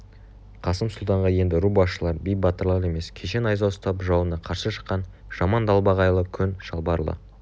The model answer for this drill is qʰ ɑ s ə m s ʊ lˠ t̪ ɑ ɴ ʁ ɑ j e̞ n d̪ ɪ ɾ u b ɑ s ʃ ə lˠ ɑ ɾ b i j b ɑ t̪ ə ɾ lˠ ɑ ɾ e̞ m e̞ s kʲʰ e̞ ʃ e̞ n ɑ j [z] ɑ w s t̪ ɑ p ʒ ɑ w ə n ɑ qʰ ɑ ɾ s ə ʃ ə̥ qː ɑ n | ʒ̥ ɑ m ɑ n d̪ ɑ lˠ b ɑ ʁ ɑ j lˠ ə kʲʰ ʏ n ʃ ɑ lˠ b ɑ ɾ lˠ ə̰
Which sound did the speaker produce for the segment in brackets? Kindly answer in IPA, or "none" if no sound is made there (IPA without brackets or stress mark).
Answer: z